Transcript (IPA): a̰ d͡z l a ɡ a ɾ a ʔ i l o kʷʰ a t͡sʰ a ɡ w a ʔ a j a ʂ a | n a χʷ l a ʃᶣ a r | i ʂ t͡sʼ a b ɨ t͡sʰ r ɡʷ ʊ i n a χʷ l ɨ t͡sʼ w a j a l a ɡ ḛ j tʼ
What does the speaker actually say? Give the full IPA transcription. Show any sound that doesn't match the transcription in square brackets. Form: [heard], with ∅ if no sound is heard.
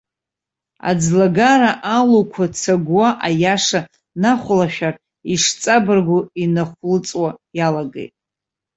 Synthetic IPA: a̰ d͡z l a ɡ a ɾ a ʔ [a] l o kʷʰ a t͡sʰ a ɡ w a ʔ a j a ʂ a | n a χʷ l a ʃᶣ a r | i ʂ t͡sʼ a b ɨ [∅] r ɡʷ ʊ i n a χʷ l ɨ t͡sʼ w a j a l a ɡ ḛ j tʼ